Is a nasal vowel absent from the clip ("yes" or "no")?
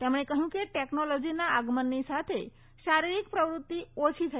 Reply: no